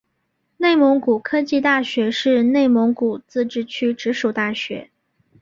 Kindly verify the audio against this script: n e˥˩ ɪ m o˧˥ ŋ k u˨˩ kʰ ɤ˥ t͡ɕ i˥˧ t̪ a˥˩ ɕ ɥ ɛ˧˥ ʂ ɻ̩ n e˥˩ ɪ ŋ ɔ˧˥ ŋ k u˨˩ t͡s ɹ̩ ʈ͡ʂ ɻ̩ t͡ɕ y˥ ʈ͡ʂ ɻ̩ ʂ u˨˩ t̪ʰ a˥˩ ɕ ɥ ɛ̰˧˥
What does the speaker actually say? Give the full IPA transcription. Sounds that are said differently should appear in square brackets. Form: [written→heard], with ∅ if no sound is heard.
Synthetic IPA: n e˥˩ ɪ m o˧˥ ŋ k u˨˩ kʰ ɤ˥ t͡ɕ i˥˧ t̪ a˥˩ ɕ ɥ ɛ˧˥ ʂ ɻ̩ n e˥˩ ɪ [ŋ→m] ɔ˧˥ ŋ k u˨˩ t͡s ɹ̩ ʈ͡ʂ ɻ̩ [t͡ɕ→t͡ɕʰ] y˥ ʈ͡ʂ ɻ̩ ʂ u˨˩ [t̪ʰ→t̪] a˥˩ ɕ ɥ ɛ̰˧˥